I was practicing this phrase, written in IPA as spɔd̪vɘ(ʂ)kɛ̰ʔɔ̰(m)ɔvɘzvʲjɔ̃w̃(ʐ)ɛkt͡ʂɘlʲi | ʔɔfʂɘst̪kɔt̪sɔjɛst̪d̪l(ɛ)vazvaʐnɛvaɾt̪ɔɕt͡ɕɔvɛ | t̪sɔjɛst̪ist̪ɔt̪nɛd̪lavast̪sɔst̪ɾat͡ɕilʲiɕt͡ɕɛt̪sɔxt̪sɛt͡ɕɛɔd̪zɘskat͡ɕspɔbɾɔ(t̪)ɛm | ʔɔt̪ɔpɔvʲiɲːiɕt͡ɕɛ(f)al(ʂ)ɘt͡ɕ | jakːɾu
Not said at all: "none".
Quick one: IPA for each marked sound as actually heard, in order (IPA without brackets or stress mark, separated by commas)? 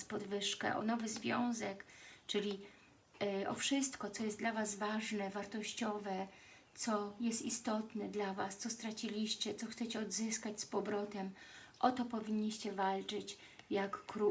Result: ʂ, n, z, a, t̪, v, t͡ʂ